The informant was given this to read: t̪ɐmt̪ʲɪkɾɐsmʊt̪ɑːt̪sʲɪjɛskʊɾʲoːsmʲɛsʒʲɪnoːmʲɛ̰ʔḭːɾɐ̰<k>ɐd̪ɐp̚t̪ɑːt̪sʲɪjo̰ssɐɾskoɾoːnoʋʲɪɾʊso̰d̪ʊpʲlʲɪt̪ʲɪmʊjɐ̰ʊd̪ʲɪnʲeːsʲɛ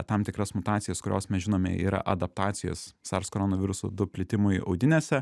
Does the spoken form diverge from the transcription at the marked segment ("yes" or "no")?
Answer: yes